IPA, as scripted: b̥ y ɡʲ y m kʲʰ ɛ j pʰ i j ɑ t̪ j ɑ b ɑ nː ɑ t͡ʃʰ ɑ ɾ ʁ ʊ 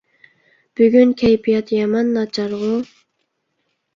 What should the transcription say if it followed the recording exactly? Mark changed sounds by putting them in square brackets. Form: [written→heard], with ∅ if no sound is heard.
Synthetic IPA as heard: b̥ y ɡʲ y [m→n] kʲʰ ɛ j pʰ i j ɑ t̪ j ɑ [b→m] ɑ nː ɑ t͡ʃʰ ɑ ɾ ʁ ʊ